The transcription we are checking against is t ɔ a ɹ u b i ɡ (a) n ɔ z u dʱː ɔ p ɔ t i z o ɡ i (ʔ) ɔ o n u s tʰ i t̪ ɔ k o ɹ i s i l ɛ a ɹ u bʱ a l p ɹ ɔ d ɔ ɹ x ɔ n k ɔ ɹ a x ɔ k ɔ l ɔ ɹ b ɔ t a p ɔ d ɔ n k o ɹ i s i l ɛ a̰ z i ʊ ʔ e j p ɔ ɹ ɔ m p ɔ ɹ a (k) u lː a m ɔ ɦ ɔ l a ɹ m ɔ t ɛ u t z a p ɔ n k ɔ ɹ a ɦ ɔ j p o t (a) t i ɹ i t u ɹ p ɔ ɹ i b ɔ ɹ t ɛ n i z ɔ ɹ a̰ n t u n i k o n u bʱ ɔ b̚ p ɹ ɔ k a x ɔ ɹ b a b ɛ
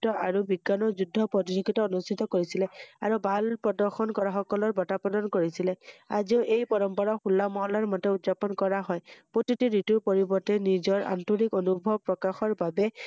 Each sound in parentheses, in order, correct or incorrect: correct, incorrect, incorrect, incorrect

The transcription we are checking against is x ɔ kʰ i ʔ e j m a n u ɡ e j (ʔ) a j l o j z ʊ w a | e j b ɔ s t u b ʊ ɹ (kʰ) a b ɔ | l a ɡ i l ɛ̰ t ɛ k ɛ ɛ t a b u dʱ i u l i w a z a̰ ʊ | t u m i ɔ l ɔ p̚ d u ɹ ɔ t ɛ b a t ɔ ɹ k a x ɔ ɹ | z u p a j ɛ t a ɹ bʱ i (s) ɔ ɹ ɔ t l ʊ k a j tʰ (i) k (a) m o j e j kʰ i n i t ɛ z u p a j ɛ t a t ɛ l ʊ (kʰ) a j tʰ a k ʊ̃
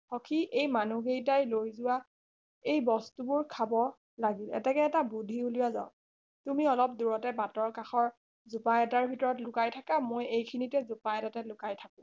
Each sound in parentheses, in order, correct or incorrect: incorrect, correct, incorrect, incorrect, correct, incorrect

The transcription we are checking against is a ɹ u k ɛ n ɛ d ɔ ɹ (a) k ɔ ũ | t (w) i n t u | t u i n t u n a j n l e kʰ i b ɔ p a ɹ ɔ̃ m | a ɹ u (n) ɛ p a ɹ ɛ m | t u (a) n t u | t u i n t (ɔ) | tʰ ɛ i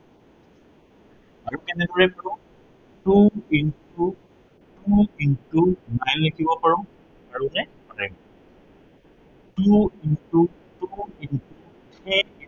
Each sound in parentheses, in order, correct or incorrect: incorrect, incorrect, correct, incorrect, incorrect

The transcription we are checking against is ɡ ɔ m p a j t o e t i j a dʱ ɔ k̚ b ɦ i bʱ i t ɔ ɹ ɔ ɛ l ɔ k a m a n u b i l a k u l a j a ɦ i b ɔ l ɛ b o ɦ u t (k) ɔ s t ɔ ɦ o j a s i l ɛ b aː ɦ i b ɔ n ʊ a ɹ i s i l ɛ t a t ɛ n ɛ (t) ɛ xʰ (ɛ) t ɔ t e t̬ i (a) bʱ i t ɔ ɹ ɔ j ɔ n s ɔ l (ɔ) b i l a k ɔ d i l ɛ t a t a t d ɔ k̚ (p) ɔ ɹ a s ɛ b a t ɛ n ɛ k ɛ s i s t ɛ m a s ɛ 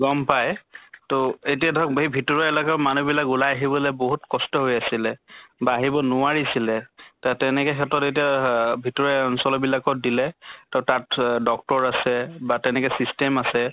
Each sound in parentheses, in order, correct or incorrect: correct, incorrect, correct, correct, correct, incorrect

